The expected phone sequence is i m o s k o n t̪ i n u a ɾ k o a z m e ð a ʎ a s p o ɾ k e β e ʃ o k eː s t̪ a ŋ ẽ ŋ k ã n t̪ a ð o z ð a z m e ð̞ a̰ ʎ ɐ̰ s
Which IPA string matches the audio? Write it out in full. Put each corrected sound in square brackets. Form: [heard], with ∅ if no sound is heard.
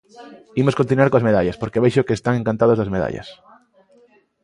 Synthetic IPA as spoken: i m o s k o n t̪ i n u a ɾ k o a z m e ð a ʎ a s p o ɾ k e β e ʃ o k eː s t̪ a ŋ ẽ ŋ k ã n t̪ a ð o z ð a z m e ð̞ a̰ ʎ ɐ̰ s